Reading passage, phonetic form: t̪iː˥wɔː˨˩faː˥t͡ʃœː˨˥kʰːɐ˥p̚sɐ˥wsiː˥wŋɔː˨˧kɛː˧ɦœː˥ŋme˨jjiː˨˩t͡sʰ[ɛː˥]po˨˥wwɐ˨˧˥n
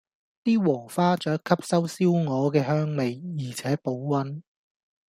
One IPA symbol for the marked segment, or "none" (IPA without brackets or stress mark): ɛː˨˥